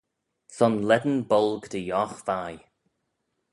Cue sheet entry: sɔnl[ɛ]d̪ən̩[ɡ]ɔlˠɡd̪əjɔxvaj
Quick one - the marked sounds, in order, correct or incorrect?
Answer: correct, incorrect: b

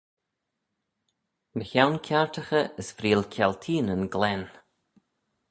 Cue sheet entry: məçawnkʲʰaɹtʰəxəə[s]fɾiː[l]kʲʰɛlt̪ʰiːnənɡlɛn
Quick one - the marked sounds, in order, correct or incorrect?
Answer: correct, correct

